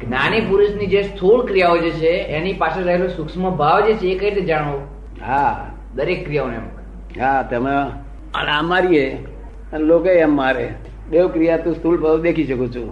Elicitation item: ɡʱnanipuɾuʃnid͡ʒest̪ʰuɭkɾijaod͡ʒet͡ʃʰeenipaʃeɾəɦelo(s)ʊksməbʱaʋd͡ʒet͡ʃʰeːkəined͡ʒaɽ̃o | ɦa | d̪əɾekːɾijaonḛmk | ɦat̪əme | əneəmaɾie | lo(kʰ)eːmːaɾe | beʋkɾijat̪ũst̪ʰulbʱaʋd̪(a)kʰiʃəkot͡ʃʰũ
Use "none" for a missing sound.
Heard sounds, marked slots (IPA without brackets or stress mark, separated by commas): s, k, e